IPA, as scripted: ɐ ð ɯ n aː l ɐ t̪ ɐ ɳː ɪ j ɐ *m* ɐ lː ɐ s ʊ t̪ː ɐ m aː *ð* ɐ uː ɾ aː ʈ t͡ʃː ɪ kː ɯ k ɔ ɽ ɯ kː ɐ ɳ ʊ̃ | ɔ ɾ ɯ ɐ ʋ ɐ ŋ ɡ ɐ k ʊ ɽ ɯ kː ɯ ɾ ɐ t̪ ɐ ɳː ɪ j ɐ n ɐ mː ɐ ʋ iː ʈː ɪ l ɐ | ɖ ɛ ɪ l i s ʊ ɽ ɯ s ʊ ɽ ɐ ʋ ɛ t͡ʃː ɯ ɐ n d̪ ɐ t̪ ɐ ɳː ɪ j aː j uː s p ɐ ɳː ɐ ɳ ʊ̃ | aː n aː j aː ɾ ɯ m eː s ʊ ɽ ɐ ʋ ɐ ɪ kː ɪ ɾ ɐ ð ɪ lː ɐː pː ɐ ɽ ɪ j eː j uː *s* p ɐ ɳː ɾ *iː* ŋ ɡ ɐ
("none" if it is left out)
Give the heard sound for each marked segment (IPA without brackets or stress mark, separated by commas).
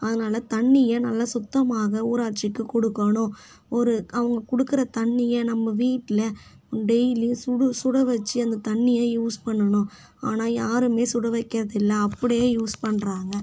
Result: n, ɣ, s, aː